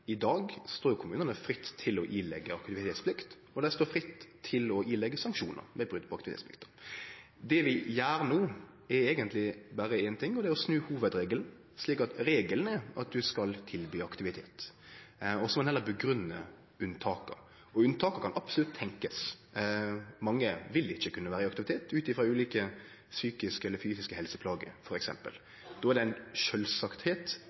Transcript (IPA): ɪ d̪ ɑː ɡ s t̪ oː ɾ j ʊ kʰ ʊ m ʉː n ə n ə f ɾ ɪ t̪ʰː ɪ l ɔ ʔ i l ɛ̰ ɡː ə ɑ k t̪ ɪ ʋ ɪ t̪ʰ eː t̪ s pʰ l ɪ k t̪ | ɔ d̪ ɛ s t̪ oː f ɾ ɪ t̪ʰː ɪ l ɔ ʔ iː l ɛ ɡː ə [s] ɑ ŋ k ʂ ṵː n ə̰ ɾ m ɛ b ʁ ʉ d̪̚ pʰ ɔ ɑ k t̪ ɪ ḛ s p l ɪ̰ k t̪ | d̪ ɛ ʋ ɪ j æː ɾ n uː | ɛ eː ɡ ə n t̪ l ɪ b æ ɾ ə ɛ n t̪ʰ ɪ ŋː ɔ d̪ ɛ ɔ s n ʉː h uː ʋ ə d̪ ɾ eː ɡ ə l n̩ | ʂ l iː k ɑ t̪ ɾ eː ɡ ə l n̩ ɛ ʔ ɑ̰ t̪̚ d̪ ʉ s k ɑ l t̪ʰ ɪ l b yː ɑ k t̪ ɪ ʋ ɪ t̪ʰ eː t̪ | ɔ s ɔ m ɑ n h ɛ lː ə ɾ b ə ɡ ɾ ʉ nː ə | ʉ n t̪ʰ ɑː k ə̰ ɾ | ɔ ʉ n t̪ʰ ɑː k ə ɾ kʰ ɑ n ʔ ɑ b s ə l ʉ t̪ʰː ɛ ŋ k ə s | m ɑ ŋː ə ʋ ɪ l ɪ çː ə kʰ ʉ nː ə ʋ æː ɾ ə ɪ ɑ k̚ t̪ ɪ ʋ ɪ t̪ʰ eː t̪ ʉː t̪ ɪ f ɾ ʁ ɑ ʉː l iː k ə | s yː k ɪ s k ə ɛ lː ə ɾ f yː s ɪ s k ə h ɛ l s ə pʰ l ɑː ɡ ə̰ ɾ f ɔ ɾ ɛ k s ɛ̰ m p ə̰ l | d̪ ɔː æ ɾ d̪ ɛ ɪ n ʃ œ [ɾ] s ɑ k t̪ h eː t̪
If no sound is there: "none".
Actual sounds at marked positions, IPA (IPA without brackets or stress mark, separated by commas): s, l